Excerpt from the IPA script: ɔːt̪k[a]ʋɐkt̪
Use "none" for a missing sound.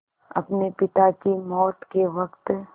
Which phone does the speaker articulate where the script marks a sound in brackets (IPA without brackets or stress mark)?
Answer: e